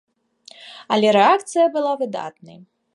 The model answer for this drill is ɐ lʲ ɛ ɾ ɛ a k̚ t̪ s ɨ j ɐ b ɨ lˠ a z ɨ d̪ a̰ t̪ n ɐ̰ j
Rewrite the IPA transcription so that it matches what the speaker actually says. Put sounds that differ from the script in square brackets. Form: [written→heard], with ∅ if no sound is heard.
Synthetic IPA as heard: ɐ lʲ ɛ ɾ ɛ a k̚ t̪ s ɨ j ɐ b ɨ lˠ a [z→v] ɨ d̪ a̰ t̪ n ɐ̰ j